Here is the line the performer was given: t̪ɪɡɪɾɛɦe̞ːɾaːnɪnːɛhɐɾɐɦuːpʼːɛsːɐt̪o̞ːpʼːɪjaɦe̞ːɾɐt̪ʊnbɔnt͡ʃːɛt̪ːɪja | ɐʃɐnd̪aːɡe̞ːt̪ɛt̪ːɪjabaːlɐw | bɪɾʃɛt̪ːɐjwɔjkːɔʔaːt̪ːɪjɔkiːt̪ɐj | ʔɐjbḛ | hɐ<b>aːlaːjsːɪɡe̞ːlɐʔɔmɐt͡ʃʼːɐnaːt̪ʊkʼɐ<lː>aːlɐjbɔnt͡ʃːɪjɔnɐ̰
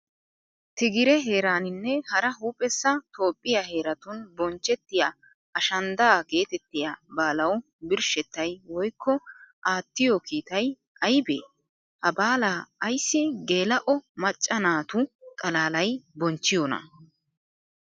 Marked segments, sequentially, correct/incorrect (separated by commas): correct, incorrect